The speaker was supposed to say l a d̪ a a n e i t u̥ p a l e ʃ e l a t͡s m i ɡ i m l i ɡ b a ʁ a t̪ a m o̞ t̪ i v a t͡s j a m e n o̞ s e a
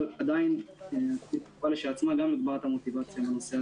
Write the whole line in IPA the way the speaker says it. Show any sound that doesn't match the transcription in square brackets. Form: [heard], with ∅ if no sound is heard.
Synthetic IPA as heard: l a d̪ a [i] n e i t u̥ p a l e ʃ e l a t͡s m [a] ɡ [a] m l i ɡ b a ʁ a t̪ a m o̞ t̪ i v a t͡s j a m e n o̞ s e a